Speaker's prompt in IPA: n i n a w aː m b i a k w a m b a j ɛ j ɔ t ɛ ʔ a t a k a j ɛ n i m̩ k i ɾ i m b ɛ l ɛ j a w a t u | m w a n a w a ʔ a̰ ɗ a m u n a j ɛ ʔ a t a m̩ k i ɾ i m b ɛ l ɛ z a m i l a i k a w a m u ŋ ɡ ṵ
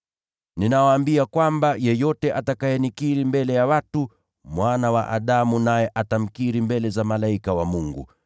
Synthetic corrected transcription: n i n a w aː m b i a k w a m b a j ɛ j ɔ t ɛ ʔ a t a k a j ɛ n i k i ɾ i m b ɛ l ɛ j a w a t u | m w a n a w a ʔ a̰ ɗ a m u n a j ɛ ʔ a t a m̩ k i ɾ i m b ɛ l ɛ z a m a l a i k a w a m u ŋ ɡ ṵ